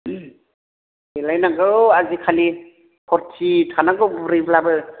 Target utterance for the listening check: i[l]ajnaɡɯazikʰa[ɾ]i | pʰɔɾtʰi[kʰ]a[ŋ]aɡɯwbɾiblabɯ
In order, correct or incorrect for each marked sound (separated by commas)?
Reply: correct, incorrect, incorrect, incorrect